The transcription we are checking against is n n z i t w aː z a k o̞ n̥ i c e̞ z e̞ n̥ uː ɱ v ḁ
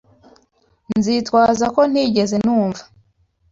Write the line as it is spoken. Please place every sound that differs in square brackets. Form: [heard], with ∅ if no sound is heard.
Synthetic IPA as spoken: n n z i t w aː z a k o̞ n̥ i [ɟ] e̞ z e̞ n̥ uː ɱ v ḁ